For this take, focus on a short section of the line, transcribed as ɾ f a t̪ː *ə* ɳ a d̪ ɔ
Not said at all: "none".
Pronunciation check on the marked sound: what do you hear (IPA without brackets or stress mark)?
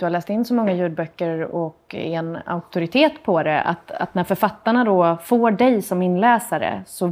a